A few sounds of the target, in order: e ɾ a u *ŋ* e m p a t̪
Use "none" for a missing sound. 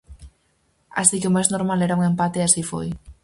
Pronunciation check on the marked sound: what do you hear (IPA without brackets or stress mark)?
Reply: ŋ